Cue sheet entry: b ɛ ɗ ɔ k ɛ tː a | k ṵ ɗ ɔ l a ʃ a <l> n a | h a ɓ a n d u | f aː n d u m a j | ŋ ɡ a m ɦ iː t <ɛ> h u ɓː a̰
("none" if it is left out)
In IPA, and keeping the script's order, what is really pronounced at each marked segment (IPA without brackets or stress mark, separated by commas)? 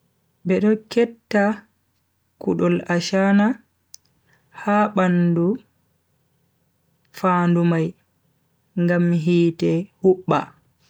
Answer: none, ɛ